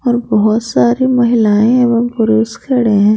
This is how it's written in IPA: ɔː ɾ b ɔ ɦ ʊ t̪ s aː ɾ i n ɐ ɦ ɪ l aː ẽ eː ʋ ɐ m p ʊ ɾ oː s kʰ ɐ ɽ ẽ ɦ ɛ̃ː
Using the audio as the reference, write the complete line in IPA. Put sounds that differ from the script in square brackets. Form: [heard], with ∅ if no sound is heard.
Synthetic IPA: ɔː ɾ b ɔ ɦ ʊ t̪ s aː ɾ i [m] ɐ ɦ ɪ l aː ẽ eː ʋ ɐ m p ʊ ɾ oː s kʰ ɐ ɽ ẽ ɦ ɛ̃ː